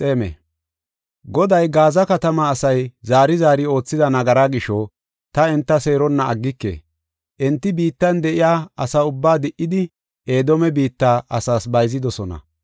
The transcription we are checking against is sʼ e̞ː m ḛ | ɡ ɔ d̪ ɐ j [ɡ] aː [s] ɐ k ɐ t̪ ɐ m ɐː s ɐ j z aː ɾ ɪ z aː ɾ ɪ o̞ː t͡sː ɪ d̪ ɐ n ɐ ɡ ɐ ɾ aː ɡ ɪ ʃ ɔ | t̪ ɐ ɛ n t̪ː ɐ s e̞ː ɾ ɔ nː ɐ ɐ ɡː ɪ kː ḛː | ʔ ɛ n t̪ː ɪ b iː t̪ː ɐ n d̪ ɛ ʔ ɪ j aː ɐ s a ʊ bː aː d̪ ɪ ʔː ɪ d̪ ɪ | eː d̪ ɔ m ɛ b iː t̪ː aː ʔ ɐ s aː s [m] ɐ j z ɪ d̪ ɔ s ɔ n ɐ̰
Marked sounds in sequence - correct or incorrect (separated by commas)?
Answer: correct, incorrect, incorrect